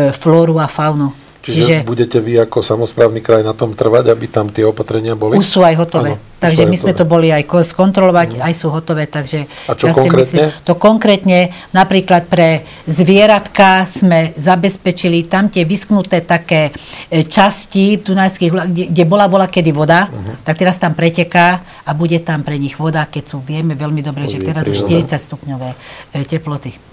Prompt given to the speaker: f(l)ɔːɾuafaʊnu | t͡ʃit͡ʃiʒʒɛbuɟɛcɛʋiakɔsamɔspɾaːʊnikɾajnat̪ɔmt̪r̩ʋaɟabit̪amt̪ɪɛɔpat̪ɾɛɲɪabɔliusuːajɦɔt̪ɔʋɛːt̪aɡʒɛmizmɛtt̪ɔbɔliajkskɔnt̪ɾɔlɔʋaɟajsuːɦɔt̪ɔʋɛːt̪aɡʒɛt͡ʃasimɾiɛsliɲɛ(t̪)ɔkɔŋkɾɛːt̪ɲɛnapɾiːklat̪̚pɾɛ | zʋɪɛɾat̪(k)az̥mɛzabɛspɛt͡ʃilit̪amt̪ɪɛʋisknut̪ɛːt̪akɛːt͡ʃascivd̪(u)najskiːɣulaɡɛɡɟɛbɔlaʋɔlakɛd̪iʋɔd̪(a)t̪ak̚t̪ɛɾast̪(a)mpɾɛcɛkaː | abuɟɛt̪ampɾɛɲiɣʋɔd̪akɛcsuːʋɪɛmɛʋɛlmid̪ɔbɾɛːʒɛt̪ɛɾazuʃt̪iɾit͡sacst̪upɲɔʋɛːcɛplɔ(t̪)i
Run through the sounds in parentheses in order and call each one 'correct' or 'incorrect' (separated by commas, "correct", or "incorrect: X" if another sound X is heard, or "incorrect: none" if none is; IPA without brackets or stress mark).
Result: correct, correct, correct, correct, correct, correct, correct